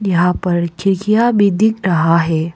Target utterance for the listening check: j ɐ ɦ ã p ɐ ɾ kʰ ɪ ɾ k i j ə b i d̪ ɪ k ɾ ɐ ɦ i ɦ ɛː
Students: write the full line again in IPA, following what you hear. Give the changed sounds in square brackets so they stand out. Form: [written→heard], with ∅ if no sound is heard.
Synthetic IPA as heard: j ɐ ɦ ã p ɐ ɾ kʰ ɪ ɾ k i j [ə→a] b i d̪ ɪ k ɾ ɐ ɦ [i→a] ɦ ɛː